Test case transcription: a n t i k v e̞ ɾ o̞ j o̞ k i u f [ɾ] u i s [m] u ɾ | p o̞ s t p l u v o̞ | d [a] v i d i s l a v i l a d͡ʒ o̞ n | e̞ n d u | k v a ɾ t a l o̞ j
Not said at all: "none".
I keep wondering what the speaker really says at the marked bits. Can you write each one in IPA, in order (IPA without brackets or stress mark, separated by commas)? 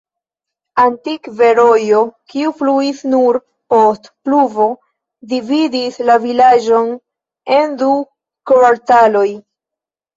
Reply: l, n, i